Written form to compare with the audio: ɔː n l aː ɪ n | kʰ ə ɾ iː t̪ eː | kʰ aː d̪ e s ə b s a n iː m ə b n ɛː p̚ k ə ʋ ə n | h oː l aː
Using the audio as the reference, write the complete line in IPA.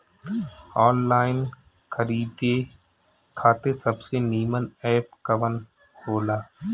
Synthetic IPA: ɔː n l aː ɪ n | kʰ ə ɾ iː d̪ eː | kʰ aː t̪ e s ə b s e n iː m ə n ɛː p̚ k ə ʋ ə n | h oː l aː